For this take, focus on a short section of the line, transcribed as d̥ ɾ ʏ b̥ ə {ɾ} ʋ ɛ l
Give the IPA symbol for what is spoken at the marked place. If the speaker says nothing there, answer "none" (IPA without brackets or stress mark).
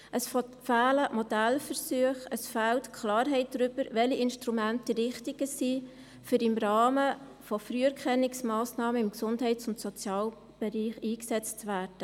ɾ